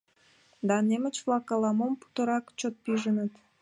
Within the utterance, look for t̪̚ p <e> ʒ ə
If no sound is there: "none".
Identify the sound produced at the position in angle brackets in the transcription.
i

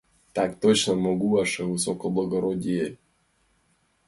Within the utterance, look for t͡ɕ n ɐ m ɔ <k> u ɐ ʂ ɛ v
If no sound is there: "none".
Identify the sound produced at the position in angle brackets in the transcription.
ɡ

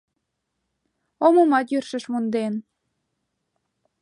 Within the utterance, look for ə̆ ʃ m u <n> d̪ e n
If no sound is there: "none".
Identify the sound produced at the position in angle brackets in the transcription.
n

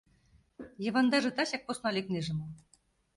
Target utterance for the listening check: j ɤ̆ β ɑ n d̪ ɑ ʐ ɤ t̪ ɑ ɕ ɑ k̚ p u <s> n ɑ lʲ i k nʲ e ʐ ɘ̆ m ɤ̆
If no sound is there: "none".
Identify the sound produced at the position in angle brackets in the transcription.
s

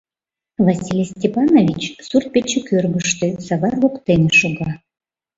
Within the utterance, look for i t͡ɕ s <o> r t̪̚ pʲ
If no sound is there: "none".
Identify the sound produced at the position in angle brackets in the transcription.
u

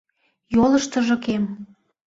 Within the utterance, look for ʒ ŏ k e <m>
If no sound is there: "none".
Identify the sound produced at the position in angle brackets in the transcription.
m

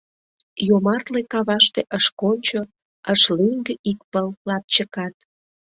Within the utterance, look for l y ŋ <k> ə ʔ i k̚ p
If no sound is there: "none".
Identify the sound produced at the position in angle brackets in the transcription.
ɡ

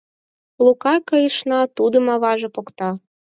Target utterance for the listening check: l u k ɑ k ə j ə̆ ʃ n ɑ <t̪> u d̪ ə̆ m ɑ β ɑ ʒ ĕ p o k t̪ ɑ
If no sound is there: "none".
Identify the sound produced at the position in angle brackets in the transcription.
t̪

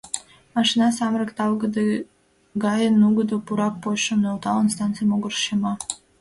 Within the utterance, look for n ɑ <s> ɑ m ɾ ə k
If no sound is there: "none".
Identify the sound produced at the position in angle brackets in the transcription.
s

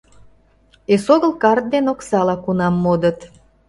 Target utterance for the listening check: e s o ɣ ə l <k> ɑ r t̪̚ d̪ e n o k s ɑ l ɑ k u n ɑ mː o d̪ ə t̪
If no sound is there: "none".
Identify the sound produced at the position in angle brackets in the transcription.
k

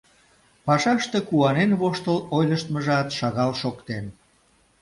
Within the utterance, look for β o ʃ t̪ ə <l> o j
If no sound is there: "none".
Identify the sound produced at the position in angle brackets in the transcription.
l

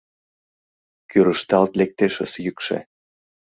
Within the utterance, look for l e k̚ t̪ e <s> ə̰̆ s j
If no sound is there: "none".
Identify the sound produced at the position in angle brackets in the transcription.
ʃ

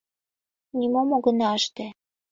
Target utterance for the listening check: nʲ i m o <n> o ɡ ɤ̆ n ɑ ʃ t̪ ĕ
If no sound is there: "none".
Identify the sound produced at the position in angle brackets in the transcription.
m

